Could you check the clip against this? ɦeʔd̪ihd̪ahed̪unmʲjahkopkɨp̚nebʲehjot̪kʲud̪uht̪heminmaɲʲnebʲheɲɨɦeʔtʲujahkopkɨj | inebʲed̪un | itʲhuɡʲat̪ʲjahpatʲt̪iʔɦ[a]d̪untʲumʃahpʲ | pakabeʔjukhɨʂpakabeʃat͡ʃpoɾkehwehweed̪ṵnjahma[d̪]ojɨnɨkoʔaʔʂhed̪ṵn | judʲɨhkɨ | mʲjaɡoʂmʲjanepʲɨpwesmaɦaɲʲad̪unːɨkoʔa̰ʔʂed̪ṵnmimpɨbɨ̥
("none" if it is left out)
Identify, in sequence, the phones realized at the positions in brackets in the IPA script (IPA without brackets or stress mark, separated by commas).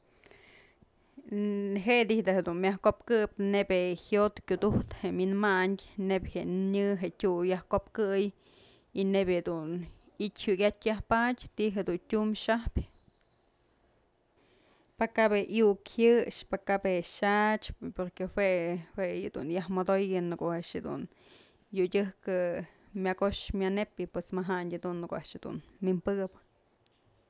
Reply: e, d̪